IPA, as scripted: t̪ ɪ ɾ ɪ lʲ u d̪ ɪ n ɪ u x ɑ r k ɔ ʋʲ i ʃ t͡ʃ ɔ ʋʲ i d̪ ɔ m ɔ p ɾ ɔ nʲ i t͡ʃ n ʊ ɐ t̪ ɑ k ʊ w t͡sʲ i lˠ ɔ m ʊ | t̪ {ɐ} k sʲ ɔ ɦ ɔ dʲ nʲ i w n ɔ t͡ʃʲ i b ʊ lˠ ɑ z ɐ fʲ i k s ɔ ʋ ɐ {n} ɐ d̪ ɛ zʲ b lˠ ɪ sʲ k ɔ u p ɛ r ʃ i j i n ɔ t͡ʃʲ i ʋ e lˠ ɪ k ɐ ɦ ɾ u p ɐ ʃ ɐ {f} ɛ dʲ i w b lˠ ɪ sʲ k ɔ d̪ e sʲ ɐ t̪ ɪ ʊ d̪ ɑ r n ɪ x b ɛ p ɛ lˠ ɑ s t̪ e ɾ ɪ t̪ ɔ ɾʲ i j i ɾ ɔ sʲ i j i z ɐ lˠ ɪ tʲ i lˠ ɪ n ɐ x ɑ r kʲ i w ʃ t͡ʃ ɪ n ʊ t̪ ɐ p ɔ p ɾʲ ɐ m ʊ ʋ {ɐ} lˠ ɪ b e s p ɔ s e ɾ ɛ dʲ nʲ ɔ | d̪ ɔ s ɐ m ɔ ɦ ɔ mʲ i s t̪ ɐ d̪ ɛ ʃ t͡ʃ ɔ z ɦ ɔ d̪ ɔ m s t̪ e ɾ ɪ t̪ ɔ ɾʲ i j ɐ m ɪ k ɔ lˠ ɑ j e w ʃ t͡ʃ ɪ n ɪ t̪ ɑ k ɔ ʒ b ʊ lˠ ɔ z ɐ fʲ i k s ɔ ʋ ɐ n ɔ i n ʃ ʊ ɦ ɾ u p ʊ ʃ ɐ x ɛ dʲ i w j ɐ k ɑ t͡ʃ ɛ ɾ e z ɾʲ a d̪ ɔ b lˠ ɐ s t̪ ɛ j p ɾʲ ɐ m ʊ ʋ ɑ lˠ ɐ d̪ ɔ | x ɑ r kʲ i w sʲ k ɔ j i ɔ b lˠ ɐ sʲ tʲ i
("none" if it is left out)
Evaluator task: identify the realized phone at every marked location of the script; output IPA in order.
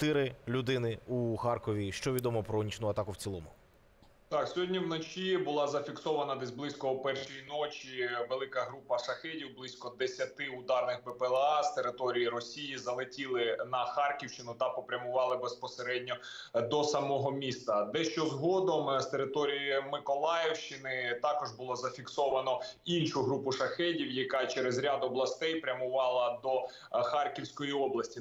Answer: ɑ, n, x, ɑ

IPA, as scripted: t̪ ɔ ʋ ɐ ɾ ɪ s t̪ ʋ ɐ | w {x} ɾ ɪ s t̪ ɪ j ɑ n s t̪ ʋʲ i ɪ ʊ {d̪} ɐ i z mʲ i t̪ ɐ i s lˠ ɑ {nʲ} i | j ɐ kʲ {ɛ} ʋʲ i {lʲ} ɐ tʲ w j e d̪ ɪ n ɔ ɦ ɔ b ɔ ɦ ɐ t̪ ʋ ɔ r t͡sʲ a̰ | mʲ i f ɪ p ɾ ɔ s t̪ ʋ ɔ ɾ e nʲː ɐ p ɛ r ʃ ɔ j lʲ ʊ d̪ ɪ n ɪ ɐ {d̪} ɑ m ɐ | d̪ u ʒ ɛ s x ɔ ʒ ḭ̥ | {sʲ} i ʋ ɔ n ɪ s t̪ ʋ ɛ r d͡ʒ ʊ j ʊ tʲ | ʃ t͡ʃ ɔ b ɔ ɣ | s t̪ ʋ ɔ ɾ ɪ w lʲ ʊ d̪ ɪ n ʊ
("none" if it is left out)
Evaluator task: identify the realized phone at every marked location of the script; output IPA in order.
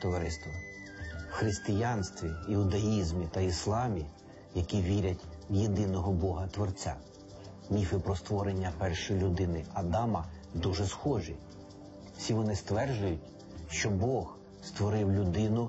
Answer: x, d̪, mʲ, i, ɾʲ, d̪, sʲ

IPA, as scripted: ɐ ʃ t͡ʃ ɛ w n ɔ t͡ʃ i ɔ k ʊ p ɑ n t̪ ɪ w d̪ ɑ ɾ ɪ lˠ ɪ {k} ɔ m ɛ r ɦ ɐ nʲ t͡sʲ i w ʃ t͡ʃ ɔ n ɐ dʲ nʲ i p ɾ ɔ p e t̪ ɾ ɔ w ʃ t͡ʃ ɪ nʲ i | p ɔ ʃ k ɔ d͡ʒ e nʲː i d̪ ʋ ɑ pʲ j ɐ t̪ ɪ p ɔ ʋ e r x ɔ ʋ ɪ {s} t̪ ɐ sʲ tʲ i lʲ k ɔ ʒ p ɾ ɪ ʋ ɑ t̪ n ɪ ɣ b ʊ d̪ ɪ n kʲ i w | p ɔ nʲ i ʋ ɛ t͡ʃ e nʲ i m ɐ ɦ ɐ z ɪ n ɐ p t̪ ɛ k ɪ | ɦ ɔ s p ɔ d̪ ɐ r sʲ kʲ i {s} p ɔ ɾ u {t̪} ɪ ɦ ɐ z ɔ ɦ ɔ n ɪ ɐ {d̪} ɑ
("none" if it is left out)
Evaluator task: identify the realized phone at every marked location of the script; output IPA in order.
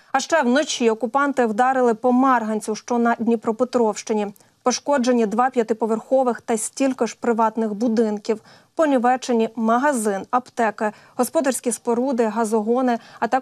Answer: p, x, s, d̪, t̪

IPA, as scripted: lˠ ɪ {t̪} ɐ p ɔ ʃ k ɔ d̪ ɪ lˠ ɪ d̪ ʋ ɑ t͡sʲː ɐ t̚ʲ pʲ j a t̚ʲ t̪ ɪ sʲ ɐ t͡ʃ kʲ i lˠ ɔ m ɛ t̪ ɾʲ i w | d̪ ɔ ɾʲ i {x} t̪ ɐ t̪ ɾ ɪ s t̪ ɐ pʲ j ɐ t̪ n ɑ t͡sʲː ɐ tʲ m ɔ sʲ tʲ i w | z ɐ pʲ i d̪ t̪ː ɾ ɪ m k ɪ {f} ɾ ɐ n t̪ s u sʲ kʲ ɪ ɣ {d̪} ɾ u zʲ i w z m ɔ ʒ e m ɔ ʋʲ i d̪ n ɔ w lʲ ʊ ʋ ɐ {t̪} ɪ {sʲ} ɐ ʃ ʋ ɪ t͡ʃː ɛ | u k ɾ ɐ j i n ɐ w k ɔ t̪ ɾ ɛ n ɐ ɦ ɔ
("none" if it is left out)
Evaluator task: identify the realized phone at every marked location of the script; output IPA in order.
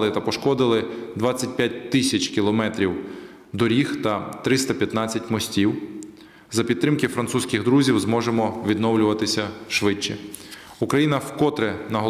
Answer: t̪, x, f, d̪, t̪, sʲ

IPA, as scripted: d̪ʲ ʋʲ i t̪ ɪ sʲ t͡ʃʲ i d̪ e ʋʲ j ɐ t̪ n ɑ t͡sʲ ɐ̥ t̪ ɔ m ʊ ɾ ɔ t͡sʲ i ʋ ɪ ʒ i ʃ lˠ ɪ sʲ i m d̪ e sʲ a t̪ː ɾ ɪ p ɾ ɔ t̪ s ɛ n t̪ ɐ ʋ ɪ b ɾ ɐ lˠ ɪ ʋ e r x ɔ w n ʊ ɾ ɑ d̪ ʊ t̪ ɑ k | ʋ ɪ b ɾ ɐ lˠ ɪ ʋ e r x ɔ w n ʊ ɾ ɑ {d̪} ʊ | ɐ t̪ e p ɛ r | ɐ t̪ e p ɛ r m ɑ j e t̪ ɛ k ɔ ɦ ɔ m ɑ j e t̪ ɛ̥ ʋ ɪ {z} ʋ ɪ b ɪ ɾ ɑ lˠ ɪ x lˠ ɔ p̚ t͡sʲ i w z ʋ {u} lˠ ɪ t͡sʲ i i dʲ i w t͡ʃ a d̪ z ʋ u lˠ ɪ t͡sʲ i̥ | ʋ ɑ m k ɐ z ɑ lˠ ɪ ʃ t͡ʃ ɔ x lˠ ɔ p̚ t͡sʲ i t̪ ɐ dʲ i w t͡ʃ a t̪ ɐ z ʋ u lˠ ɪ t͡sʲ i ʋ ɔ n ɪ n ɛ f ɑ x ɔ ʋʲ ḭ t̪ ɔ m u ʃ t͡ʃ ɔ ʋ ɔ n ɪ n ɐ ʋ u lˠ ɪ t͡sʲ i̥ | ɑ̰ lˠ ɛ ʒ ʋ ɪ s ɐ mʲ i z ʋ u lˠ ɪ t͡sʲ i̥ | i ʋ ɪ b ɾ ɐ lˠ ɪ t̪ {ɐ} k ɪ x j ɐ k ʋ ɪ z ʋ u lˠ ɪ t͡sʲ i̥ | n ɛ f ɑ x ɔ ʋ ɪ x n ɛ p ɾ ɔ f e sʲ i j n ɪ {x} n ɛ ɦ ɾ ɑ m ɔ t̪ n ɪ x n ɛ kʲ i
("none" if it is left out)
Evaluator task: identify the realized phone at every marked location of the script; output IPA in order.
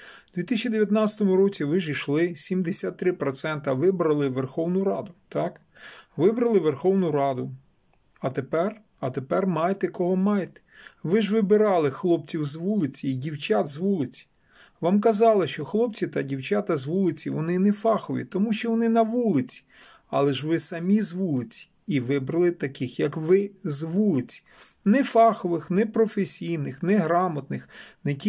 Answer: d̪, ʒ, u, ɐ, x

